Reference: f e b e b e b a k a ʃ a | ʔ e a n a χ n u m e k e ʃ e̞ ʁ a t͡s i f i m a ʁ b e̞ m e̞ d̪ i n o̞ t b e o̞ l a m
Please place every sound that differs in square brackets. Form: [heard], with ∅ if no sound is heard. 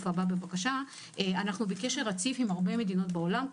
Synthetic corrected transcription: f [a] b [a] b e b a k a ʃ a | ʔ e a n a χ n u [b] e k e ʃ e̞ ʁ a t͡s i f i m a ʁ b e̞ m e̞ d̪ i n o̞ t b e o̞ l a m